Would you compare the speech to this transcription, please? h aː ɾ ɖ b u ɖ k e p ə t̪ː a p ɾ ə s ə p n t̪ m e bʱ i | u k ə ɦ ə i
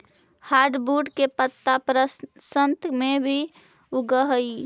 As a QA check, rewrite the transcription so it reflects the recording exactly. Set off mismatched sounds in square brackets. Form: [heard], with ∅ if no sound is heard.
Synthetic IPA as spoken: h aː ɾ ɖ b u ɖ k e p ə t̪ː a p ɾ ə s ə [∅] n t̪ m e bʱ i | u [ɡ] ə ɦ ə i